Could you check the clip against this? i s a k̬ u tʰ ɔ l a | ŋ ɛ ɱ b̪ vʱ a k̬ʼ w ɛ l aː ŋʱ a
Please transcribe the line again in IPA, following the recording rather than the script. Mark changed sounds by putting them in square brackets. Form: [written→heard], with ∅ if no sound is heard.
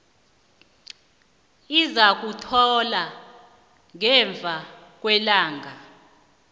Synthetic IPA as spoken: i [s→z] a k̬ u tʰ ɔ l a | ŋ ɛ ɱ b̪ vʱ a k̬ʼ w ɛ l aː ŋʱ a